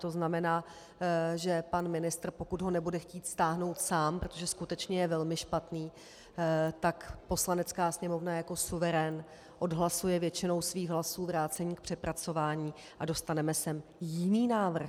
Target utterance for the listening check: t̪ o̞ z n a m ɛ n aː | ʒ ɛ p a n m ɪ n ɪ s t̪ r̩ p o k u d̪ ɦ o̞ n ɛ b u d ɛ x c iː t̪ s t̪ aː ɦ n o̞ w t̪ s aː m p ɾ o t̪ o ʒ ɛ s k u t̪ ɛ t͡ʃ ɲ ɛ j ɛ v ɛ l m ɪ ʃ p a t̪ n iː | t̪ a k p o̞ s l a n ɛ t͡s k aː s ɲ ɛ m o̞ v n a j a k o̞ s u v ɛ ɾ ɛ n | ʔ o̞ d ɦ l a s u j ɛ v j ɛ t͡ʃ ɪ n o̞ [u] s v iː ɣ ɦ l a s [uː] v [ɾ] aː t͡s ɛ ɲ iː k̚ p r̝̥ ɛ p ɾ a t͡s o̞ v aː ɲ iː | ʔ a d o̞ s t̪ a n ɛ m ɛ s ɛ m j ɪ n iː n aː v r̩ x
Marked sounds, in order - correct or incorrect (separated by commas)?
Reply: incorrect, correct, correct